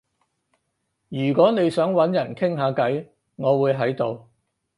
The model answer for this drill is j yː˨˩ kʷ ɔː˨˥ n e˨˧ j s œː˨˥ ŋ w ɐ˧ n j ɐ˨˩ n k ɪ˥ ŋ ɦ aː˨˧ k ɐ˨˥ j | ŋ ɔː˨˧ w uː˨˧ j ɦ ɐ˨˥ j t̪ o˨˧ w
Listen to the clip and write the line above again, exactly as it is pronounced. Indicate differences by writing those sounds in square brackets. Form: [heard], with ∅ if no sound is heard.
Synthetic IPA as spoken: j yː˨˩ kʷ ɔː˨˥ n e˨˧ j s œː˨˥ ŋ w [ɐ˨˥] n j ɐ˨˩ n [kʰ] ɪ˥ ŋ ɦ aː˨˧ k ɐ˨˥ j | ŋ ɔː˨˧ w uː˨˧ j ɦ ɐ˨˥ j t̪ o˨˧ w